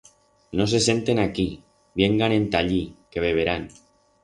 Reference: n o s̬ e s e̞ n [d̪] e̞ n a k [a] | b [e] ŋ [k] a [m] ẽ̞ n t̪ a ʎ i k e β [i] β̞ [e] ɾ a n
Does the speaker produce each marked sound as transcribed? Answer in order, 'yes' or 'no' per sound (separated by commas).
no, no, yes, no, no, no, yes